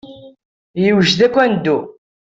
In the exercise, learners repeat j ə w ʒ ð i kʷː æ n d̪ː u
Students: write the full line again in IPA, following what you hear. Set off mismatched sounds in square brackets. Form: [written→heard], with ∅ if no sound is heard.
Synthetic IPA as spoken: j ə w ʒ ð [i→æ] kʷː æ n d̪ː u